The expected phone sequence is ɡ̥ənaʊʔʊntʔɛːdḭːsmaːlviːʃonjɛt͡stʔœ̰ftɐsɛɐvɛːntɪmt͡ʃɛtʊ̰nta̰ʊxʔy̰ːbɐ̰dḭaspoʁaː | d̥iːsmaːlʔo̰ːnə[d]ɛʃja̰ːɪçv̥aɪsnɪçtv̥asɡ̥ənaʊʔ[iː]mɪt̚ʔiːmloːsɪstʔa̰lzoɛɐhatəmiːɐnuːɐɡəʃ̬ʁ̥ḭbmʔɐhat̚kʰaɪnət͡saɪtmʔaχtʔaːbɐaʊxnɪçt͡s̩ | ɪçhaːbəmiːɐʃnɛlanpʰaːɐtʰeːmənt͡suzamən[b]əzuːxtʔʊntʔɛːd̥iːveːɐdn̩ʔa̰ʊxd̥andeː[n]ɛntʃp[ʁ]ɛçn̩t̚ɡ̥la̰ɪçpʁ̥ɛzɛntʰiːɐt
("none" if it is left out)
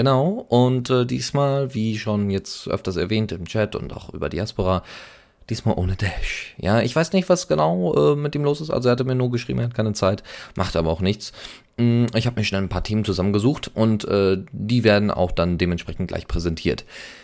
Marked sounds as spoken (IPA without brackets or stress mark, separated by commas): d, ɛː, ɡ, m, ʁ